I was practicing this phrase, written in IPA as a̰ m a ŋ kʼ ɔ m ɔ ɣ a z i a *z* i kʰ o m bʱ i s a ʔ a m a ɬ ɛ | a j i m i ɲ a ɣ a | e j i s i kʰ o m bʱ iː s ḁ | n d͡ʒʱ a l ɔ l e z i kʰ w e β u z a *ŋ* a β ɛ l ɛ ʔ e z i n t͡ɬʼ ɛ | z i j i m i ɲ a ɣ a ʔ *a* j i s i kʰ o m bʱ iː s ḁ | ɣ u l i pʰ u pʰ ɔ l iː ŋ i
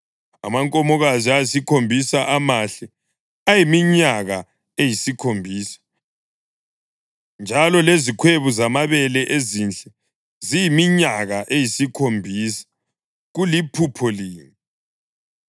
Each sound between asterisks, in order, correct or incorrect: incorrect: s, incorrect: m, incorrect: e

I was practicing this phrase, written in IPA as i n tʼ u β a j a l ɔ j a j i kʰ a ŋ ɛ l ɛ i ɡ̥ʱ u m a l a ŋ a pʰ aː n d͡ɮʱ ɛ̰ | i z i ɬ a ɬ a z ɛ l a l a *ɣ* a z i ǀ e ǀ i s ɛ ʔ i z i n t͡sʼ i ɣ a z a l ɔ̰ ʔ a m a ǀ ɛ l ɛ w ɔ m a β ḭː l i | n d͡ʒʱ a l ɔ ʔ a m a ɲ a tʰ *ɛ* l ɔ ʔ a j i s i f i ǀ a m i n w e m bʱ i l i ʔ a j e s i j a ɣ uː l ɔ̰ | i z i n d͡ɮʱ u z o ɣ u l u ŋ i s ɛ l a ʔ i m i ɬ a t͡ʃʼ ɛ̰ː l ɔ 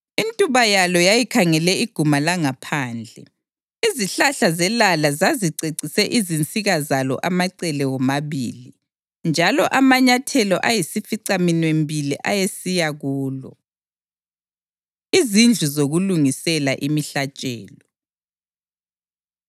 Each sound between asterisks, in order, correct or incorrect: incorrect: z, correct

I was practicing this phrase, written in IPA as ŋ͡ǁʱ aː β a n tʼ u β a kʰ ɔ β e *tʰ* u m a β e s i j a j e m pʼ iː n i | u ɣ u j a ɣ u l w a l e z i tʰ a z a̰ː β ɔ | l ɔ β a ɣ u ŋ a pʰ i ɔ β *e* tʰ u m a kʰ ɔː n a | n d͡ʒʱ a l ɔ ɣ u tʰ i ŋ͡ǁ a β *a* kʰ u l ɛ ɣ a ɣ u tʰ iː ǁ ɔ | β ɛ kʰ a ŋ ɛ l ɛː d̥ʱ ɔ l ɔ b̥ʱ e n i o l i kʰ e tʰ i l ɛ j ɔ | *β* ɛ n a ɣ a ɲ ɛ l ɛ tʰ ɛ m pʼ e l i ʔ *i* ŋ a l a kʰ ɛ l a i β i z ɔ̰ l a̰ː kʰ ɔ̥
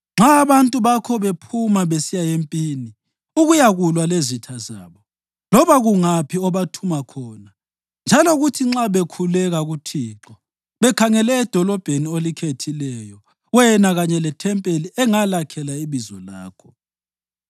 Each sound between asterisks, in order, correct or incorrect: incorrect: pʰ, incorrect: a, incorrect: e, incorrect: w, incorrect: ɛ

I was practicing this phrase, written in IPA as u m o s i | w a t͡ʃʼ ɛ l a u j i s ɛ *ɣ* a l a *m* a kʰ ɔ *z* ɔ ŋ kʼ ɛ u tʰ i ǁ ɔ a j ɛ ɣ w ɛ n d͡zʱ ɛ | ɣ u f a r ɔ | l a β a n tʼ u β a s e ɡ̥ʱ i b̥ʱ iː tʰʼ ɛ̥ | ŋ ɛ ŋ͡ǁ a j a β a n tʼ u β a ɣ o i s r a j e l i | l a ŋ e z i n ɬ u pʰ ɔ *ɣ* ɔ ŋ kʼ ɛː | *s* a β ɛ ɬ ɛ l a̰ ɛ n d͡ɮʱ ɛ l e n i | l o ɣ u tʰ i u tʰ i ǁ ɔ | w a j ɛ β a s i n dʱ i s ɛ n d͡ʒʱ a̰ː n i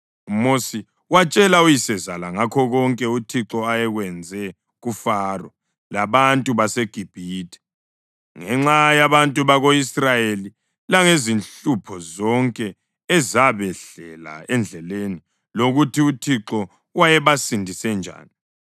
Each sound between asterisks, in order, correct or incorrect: incorrect: z, incorrect: ŋ, incorrect: ɣ, incorrect: z, incorrect: z

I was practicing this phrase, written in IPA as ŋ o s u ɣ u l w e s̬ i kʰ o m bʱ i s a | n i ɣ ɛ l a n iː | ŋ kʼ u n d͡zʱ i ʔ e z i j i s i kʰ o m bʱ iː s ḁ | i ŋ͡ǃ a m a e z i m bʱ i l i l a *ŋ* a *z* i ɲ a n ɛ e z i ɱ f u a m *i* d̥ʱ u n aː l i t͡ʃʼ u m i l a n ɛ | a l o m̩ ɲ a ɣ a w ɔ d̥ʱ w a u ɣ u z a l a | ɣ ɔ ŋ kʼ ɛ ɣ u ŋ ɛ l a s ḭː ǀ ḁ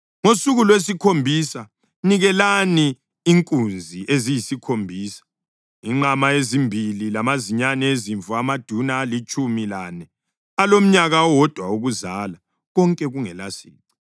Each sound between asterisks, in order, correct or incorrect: incorrect: m, correct, incorrect: a

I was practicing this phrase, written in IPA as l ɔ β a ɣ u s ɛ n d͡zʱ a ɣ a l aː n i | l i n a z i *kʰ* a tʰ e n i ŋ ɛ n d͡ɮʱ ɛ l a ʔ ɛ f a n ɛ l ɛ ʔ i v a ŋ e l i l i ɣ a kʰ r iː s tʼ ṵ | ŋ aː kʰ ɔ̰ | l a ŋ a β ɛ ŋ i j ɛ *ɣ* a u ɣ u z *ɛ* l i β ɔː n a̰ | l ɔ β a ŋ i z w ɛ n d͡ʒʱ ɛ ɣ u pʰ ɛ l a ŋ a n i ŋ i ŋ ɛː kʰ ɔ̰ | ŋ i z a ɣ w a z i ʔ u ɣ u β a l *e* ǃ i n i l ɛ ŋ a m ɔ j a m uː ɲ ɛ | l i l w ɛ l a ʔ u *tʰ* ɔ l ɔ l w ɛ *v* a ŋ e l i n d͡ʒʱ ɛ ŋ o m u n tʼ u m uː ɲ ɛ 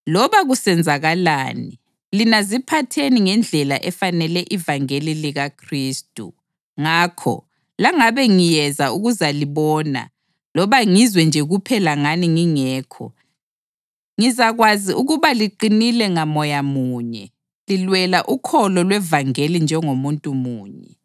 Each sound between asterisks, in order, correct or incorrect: incorrect: pʰ, incorrect: z, incorrect: a, incorrect: i, incorrect: kʰ, correct

